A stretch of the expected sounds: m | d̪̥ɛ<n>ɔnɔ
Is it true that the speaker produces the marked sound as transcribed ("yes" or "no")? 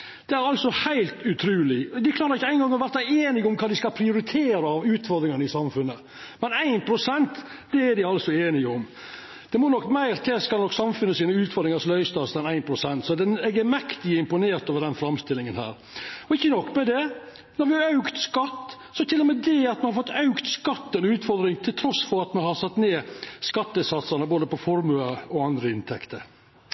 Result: no